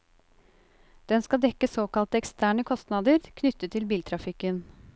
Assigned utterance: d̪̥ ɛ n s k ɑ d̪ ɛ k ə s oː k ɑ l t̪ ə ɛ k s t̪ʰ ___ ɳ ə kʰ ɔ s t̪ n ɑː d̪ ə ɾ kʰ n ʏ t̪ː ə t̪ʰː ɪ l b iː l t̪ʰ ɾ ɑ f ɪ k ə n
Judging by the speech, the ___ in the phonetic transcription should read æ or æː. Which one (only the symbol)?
æː